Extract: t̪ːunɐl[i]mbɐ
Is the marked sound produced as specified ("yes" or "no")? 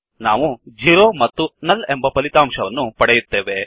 no